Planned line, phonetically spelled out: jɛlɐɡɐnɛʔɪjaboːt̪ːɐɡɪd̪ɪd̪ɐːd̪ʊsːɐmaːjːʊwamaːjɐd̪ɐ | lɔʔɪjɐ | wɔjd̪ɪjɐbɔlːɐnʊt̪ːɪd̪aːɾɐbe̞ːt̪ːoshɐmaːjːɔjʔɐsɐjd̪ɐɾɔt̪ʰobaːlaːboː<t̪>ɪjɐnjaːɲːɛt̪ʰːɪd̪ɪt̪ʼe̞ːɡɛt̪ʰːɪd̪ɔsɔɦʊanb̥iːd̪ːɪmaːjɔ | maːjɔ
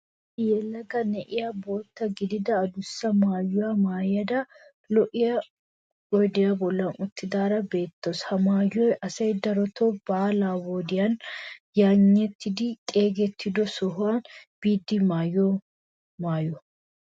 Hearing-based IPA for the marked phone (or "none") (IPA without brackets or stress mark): d̪